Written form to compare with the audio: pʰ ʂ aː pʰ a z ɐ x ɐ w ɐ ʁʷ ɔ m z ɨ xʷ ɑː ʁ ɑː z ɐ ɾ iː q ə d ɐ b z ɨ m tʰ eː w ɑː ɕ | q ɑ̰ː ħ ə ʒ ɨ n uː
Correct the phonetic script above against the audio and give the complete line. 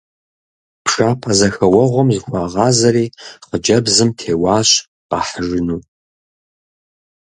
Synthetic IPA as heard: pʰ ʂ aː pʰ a z ɐ x ɐ w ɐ ʁʷ ɔ m z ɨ xʷ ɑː ʁ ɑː z ɐ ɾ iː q ə d͡ʒ ɐ b z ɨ m tʰ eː w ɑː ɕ | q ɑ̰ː ħ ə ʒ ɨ n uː